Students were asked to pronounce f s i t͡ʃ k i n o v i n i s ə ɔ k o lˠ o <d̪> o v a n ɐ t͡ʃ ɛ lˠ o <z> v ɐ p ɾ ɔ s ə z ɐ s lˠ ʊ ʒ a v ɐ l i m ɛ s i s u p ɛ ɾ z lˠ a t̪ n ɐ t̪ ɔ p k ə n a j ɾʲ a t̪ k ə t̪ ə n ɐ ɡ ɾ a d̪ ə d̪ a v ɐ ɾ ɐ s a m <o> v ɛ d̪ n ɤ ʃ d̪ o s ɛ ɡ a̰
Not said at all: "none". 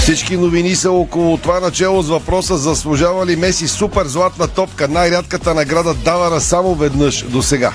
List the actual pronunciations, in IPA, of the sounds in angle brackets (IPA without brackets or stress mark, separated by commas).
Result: t̪, z, o